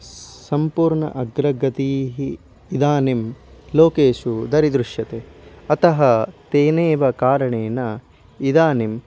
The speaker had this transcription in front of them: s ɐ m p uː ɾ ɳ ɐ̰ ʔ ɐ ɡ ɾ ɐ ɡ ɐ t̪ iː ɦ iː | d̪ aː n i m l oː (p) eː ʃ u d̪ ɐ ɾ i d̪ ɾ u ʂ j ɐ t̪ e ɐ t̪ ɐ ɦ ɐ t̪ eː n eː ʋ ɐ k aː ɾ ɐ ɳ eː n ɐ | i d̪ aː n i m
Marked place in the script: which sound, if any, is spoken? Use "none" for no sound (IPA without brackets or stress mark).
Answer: k